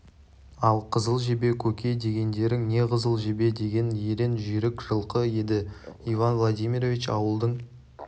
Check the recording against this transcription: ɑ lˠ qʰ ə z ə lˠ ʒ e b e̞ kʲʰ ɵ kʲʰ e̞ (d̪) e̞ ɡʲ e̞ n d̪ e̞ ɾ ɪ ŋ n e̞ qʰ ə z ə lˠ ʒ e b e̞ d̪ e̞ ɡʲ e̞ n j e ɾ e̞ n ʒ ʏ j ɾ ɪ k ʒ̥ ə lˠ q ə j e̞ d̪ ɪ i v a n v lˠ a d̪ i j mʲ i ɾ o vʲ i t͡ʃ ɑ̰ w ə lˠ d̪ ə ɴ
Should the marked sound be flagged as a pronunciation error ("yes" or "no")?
no